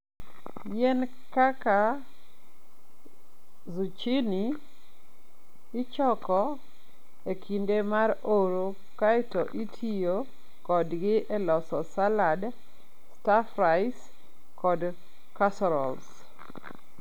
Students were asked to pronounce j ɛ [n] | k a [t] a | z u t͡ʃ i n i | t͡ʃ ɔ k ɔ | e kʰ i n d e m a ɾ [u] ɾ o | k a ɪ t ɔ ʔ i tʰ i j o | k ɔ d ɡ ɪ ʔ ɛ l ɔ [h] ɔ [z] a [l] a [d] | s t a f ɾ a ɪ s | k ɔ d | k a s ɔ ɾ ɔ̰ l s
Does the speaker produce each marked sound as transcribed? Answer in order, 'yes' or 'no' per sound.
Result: yes, no, no, no, no, yes, yes

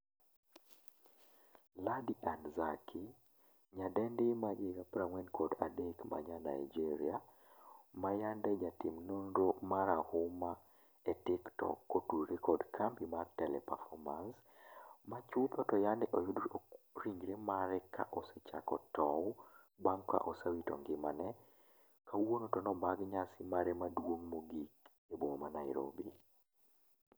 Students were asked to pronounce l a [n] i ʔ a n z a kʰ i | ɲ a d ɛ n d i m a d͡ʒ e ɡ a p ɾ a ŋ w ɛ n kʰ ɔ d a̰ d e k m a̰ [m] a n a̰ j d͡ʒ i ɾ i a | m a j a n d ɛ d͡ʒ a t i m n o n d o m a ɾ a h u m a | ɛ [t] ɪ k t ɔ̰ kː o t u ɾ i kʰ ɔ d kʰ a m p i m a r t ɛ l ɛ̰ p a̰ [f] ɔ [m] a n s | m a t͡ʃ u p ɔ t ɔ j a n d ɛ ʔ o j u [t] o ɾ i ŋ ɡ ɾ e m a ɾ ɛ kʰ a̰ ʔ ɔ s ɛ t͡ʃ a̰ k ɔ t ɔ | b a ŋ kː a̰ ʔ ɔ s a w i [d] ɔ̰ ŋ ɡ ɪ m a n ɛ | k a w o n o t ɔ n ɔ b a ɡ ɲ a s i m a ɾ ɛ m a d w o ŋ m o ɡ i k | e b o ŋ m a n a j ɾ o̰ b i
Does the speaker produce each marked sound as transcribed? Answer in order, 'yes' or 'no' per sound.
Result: no, no, yes, yes, yes, no, no

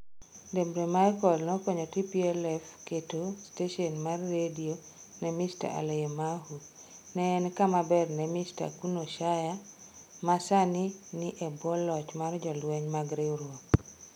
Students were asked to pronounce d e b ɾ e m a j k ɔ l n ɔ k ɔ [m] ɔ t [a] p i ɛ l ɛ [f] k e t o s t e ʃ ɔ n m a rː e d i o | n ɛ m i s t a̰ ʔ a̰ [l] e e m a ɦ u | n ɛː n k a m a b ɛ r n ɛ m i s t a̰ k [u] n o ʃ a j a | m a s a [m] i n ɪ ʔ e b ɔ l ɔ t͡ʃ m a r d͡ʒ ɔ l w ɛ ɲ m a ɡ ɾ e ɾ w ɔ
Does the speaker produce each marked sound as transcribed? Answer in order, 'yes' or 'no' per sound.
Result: no, no, yes, yes, yes, no

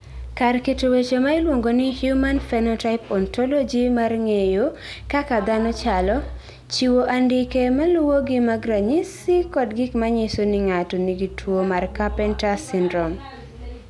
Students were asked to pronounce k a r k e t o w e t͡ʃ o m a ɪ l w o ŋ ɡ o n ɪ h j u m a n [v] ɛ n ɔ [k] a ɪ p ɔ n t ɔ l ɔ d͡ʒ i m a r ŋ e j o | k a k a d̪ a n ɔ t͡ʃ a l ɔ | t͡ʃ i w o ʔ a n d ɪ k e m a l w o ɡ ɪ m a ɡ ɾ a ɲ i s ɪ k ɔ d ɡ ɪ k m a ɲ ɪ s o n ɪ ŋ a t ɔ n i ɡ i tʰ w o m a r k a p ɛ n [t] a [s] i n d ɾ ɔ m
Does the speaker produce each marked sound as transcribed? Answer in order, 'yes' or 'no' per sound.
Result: no, no, yes, yes

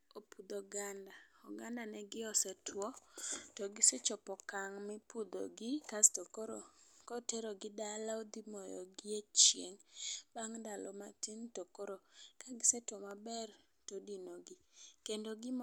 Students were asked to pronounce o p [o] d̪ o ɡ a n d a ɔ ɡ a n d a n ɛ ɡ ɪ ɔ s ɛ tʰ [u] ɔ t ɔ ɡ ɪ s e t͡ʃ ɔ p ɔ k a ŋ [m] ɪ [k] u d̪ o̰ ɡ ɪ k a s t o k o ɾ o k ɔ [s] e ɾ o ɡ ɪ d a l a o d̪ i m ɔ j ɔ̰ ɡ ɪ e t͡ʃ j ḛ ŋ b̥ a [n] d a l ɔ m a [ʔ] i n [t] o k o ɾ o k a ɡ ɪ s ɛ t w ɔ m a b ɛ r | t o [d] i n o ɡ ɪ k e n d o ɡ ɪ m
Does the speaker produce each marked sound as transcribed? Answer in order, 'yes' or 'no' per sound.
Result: no, no, yes, no, no, no, no, yes, yes

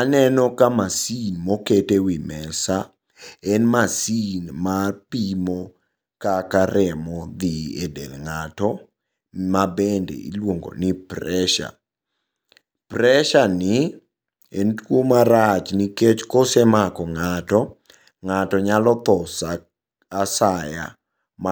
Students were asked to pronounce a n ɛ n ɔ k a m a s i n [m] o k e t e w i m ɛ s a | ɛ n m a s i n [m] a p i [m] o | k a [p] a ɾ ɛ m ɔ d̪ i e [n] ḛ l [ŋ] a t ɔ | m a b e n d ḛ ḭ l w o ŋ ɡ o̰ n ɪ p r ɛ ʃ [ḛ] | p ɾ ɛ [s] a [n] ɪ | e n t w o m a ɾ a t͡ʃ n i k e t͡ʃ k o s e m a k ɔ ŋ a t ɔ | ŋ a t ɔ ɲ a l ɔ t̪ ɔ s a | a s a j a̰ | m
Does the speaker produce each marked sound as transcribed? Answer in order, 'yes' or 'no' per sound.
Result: yes, yes, yes, no, no, yes, no, no, yes

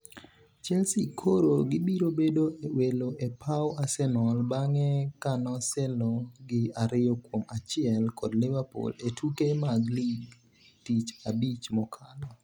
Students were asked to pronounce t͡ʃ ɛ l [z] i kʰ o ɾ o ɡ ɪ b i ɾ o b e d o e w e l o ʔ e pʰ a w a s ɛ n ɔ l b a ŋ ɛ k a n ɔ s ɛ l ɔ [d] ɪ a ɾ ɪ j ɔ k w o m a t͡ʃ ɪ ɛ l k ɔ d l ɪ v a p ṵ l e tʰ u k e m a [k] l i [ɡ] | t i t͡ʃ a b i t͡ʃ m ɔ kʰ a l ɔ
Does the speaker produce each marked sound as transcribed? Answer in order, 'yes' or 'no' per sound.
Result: no, no, no, yes

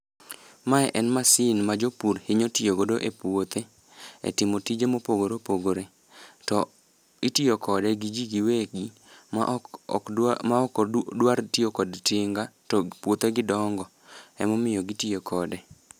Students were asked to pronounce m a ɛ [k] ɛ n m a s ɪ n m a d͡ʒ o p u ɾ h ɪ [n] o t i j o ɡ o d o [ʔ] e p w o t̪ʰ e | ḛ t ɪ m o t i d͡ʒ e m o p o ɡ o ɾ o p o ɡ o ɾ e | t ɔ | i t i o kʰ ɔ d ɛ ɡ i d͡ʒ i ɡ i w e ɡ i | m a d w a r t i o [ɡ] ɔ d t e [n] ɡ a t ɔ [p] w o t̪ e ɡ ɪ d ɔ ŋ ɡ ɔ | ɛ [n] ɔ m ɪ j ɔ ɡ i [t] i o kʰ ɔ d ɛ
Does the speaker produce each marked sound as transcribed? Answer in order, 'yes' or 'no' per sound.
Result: no, no, yes, no, no, yes, no, yes

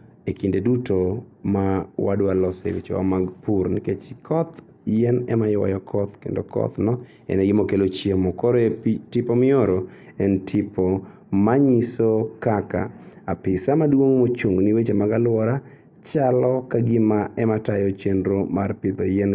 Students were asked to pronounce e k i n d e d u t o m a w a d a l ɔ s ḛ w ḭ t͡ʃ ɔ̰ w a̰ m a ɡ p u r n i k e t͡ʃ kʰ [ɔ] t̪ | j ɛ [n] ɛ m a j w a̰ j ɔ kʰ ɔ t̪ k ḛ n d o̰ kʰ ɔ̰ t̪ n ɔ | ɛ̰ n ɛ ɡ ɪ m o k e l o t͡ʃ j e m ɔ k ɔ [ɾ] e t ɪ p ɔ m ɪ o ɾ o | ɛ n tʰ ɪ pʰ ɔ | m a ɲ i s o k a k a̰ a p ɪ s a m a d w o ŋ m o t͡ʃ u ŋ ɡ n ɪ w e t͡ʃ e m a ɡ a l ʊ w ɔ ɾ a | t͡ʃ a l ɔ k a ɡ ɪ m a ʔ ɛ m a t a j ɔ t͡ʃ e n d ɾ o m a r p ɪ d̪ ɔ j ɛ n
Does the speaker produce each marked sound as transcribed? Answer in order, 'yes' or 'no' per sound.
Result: yes, yes, yes

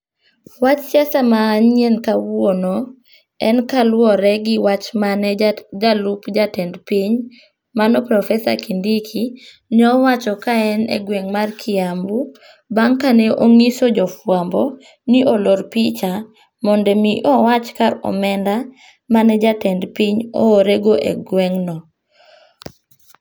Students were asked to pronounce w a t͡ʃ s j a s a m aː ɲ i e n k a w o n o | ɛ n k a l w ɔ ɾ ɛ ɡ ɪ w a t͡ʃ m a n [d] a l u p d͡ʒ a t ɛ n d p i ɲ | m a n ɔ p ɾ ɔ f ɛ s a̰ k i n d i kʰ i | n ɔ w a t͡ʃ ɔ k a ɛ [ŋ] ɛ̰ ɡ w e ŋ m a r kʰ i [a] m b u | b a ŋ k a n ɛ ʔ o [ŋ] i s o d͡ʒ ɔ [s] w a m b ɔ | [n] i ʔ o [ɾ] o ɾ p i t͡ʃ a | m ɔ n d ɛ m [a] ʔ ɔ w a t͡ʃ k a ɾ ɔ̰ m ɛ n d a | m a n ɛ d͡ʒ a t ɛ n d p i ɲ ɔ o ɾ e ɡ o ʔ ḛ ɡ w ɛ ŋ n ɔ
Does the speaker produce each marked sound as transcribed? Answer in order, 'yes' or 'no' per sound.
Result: no, no, yes, yes, no, yes, no, no

